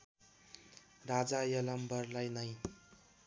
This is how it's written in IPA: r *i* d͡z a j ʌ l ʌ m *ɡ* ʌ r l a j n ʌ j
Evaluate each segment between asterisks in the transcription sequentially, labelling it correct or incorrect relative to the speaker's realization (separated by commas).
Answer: incorrect, incorrect